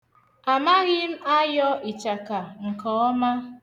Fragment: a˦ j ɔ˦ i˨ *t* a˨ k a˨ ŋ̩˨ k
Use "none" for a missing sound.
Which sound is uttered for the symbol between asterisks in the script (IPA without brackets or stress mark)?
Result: t͡ʃ